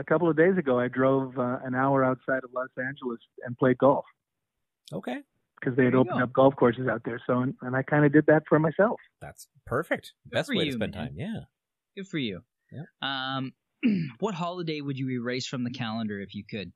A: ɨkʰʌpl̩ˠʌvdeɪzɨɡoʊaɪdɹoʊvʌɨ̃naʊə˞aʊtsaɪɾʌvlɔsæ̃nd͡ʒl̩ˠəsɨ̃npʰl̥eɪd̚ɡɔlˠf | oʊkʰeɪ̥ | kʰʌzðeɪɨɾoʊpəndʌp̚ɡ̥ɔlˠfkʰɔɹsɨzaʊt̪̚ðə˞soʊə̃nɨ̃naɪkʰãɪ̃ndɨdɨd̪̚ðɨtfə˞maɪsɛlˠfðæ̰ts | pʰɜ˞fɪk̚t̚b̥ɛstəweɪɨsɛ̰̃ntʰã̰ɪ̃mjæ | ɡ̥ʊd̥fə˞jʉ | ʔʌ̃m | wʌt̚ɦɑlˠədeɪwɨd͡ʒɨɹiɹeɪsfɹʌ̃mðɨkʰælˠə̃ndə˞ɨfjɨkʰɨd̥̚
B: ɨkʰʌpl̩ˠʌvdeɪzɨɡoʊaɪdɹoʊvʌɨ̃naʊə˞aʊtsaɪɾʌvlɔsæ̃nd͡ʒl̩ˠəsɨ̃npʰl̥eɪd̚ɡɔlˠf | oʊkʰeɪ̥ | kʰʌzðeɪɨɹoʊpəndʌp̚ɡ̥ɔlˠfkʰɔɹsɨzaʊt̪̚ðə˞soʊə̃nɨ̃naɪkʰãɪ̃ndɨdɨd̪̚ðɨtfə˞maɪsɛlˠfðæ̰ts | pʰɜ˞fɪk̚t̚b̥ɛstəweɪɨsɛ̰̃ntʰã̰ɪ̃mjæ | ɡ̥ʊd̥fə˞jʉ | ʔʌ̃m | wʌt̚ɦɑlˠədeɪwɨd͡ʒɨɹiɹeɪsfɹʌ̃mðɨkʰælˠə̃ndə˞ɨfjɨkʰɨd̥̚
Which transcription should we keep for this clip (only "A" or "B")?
A